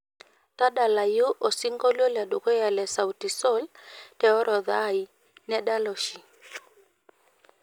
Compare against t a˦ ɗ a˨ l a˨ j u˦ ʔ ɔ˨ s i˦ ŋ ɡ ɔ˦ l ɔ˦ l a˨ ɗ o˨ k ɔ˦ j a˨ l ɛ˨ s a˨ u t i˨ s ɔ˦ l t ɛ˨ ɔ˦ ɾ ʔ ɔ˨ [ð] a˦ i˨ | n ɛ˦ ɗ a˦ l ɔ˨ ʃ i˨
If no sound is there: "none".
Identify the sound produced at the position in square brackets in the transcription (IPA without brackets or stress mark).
ð